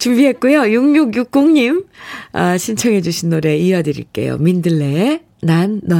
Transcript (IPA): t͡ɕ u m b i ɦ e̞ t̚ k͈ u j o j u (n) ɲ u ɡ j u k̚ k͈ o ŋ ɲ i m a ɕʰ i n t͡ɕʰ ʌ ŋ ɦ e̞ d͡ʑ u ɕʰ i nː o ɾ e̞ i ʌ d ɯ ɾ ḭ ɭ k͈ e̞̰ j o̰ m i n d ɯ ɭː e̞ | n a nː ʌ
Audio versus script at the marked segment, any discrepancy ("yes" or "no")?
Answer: yes